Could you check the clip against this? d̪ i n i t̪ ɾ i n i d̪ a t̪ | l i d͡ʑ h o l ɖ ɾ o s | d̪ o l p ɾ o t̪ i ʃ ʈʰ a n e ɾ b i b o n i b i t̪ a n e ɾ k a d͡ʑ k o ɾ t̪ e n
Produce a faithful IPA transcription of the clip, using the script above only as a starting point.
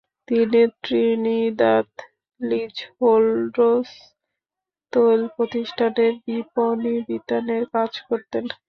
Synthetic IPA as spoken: t̪ i n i t̪ ɾ i n i d̪ a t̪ | l i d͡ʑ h o l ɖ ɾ o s | t̪ o l p ɾ o t̪ i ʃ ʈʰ a n e ɾ b i p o n i b i t̪ a n e ɾ k a d͡ʑ k o ɾ t̪ e n